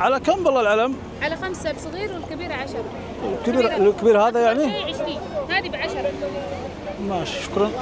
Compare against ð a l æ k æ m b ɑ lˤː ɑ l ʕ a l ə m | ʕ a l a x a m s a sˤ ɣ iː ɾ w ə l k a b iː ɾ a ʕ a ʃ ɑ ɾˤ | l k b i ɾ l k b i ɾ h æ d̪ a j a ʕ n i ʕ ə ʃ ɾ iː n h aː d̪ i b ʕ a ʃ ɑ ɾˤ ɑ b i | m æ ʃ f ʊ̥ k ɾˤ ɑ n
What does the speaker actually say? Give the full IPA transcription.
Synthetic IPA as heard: ʕ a l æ k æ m b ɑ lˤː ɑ l ʕ a l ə m | ʕ a l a x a m s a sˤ ɣ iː ɾ w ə l k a b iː ɾ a ʕ a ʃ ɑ ɾˤ | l k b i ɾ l k b i ɾ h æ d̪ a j a ʕ n i ʕ ə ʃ ɾ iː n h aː d̪ i b ʕ a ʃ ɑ ɾˤ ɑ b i | m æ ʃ ʃ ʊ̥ k ɾˤ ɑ n